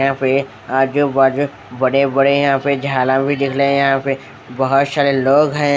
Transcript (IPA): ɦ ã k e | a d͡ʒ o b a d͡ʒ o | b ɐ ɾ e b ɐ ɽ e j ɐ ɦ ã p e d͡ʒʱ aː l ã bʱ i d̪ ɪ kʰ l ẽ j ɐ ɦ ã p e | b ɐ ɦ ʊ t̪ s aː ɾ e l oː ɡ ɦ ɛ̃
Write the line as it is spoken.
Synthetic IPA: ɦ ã p e | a d͡ʒ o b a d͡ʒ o | b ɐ ɽ e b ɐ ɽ e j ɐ ɦ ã p e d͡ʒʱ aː l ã bʱ i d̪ ɪ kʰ l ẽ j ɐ ɦ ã p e | b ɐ ɦ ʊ t̪ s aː ɾ e l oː ɡ ɦ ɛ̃

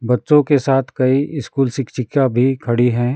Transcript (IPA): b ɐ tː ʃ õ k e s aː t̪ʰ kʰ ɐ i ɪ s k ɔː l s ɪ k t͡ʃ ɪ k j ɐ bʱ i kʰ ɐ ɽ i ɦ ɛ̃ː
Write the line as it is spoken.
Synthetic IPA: b ɐ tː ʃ õ k e s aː t̪ʰ k ɐ i ɪ s k uː l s ɪ k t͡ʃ ɪ k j a bʱ i kʰ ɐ ɽ i ɦ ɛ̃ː

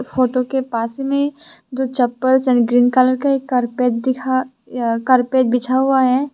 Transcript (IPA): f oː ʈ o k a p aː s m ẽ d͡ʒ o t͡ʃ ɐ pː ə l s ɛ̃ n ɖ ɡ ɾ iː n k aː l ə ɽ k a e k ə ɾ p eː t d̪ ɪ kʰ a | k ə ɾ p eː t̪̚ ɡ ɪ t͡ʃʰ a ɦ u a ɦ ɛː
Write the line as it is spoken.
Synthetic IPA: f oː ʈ o k e p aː s m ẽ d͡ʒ o t͡ʃ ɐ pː ə l s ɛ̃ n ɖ ɡ ɾ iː n k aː l ə ɾ k a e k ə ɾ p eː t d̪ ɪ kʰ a | k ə ɾ p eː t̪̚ b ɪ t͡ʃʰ a ɦ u a ɦ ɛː

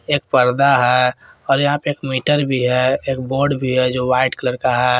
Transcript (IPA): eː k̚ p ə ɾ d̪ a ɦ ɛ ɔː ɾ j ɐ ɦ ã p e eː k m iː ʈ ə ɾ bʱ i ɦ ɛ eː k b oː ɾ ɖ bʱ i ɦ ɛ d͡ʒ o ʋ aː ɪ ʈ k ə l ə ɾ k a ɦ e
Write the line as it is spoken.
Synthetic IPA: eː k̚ p ə ɾ d̪ a ɦ ɛ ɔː ɾ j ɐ ɦ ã p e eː k m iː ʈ ə ɾ bʱ i ɦ ɛ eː k b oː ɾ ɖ bʱ i ɦ ɛ d͡ʒ o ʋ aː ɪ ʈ k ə l ə ɾ k a ɦ ɛ

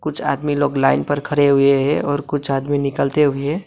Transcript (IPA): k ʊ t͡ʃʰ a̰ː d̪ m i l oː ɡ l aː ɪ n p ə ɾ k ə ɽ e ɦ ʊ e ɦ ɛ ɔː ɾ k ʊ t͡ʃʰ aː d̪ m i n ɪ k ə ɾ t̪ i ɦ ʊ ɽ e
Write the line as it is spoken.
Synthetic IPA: k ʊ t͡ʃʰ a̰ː d̪ m i l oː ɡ l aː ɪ n p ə ɾ kʰ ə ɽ e ɦ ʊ e ɦ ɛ ɔː ɾ k ʊ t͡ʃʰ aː d̪ m i n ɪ k ə l t̪ e ɦ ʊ e

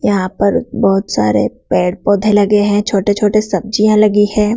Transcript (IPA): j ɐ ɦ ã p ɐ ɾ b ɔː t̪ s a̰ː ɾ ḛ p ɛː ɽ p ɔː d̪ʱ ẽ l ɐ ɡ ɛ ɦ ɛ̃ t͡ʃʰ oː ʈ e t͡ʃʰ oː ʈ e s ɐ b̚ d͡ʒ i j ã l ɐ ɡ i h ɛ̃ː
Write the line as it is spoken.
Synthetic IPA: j ɐ ɦ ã p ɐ ɾ b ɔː t̪ s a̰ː ɾ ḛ p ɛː ɽ p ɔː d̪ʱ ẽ l ɐ ɡ e ɦ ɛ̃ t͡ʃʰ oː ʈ e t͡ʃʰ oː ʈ e s ɐ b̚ d͡ʒ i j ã l ɐ ɡ i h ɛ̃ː

